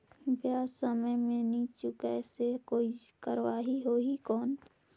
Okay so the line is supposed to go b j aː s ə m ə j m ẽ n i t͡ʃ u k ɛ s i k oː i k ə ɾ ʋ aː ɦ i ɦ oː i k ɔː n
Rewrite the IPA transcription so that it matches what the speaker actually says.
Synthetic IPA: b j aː s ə m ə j m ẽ n i t͡ʃ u k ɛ s e k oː i k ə ɾ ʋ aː ɦ i ɦ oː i k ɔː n